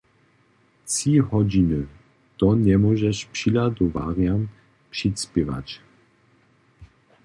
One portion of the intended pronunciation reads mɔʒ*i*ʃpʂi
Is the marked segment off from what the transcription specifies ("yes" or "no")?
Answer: yes